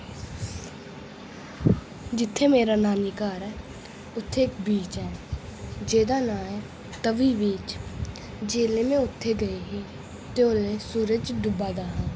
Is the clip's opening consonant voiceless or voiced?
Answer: voiced